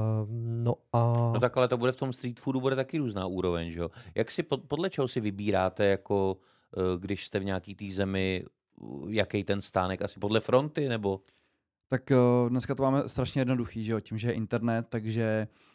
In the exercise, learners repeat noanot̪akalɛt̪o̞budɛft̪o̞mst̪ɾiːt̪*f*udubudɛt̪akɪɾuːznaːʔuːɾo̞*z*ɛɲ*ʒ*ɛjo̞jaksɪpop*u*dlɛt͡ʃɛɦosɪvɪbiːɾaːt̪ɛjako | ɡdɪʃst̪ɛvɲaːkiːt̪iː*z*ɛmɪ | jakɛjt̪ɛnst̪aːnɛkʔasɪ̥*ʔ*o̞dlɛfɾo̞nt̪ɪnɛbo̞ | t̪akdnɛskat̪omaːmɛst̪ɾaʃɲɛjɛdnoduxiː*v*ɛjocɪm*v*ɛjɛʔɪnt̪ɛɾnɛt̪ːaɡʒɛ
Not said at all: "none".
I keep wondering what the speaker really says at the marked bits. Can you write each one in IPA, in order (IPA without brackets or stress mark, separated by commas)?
f, v, ʒ, o, z, p, ʒ, ʒ